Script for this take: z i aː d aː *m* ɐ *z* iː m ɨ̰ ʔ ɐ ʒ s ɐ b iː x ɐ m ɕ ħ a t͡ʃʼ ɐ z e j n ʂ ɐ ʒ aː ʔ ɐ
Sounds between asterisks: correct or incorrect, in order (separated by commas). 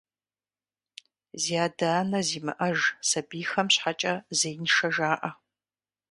incorrect, correct